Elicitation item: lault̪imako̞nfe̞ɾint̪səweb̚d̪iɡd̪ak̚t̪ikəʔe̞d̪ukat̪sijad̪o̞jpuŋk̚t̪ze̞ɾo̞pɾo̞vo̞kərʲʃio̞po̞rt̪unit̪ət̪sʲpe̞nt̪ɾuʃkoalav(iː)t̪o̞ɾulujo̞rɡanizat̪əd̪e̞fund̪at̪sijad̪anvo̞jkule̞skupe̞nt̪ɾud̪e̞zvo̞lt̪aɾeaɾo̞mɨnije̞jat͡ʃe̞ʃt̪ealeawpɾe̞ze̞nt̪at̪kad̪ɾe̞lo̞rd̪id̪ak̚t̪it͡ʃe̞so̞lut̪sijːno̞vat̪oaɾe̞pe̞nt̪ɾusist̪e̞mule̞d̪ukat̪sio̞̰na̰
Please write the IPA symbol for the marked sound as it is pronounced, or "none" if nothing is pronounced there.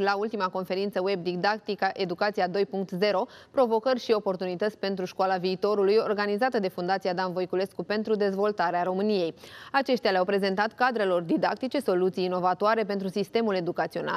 iː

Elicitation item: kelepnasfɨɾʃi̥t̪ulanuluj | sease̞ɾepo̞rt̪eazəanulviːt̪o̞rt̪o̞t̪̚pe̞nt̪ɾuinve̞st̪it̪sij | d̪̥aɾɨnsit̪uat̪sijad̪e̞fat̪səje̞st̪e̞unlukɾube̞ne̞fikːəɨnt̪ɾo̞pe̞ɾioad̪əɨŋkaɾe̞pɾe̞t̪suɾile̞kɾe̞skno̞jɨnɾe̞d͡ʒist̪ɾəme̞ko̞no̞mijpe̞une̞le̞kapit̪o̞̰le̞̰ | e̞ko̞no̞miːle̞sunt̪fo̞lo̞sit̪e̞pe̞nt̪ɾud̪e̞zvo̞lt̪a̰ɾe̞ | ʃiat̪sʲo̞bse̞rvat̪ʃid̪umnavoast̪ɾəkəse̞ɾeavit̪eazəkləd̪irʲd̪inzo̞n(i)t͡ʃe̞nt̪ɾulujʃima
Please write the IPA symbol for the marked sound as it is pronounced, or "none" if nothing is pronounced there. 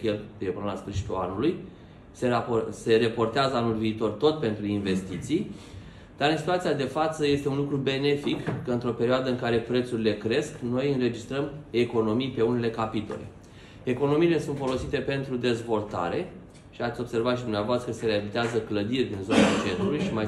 a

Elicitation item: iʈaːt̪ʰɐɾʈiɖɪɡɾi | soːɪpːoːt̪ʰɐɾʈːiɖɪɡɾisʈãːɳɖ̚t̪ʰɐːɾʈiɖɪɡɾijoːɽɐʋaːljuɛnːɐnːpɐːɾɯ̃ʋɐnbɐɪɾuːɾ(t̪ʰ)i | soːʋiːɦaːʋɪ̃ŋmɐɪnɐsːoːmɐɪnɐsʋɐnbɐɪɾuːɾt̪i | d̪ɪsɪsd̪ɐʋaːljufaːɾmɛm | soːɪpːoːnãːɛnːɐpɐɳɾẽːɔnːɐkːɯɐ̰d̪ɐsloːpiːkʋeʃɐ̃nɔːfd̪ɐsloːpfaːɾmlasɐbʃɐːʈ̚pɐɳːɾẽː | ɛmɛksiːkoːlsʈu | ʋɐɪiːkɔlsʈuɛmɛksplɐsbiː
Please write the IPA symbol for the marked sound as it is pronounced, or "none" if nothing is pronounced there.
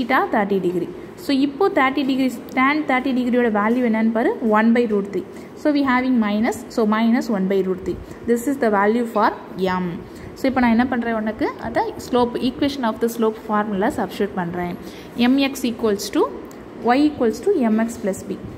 t̪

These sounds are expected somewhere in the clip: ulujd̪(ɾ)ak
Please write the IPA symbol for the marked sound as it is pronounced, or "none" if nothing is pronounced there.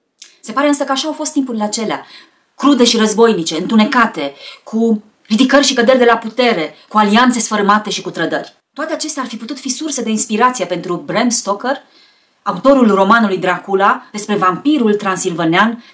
ɾ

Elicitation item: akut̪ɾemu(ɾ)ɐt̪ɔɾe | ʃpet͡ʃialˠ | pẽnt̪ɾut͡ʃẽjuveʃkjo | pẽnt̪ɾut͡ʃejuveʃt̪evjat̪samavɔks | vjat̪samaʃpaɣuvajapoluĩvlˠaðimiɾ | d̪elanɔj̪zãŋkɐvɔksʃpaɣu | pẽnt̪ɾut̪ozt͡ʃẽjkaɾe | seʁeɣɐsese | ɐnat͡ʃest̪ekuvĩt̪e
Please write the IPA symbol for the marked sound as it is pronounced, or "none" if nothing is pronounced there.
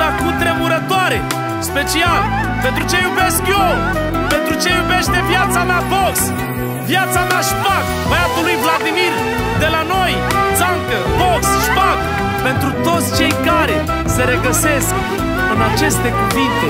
ɾ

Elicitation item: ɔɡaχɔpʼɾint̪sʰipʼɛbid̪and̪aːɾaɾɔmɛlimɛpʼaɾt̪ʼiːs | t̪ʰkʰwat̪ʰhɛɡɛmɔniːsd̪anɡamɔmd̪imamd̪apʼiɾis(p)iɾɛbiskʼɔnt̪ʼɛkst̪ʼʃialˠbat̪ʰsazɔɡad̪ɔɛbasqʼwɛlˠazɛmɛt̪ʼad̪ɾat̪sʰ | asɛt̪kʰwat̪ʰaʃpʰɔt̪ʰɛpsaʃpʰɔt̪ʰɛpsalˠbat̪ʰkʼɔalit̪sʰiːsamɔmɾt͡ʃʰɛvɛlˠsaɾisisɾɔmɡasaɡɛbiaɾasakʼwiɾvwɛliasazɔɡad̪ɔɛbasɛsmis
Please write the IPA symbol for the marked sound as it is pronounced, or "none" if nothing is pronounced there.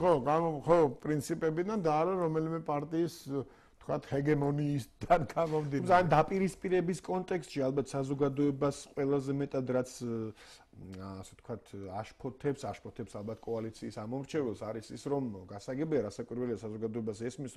pʼ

